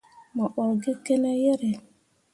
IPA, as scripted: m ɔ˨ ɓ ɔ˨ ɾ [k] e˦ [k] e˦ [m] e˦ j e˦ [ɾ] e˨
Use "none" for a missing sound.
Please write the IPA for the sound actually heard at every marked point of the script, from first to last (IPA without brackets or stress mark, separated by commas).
ɡ, k, n, ɾ